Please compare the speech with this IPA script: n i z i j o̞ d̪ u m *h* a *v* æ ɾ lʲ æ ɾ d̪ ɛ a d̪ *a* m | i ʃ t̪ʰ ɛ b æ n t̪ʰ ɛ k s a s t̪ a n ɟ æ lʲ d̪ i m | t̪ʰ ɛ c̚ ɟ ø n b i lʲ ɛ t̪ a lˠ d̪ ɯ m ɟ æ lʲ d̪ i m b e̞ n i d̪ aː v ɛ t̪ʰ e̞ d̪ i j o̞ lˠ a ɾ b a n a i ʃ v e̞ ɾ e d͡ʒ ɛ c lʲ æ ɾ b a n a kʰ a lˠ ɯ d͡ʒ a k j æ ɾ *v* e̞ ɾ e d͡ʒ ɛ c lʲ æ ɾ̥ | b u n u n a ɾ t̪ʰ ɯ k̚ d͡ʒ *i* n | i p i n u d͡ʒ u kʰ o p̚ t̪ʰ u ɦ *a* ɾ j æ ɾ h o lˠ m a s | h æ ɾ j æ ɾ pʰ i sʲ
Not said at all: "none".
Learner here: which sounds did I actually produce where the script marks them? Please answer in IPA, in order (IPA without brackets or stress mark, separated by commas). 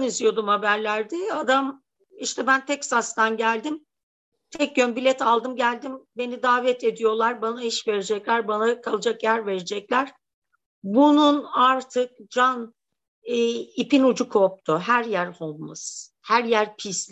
h, b, a, v, a, æ